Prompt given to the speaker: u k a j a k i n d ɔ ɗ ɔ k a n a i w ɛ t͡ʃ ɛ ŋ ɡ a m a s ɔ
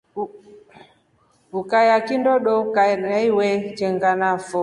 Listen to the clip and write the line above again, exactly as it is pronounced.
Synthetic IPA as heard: u k a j a k i n d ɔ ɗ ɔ k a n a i w ɛ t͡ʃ ɛ ŋ ɡ a n a f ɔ